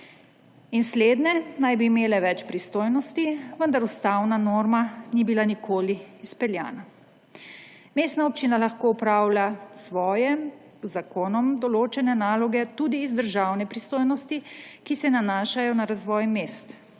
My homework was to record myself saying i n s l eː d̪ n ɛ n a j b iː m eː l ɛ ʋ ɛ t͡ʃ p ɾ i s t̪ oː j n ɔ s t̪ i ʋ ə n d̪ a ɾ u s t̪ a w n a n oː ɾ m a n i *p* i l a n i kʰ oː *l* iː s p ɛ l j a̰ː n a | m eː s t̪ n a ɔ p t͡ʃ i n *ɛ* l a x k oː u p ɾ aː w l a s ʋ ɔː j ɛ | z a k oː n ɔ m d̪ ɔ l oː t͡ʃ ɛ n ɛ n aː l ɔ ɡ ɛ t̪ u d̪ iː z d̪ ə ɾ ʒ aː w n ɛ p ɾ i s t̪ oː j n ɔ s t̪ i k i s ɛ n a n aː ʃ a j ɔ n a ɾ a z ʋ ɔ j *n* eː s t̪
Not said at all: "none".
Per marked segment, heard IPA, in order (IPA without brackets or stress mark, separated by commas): b, l, a, m